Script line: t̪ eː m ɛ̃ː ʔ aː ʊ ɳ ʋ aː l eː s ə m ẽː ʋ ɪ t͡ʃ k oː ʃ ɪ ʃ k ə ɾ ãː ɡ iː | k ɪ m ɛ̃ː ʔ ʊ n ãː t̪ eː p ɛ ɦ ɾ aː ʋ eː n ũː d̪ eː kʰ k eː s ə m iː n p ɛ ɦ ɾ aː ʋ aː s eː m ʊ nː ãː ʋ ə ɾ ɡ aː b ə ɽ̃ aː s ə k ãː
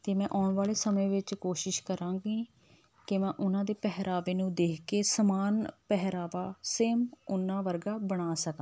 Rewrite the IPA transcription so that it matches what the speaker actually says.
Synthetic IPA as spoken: t̪ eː m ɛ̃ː ʔ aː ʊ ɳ ʋ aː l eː s ə m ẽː ʋ ɪ t͡ʃ k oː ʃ ɪ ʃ k ə ɾ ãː ɡ iː | k ɪ m ɛ̃ː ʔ ʊ n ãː d̪ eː p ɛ ɦ ɾ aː ʋ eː n ũː d̪ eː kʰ k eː s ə m aː n p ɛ ɦ ɾ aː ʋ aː s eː m ʊ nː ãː ʋ ə ɾ ɡ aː b ə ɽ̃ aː s ə k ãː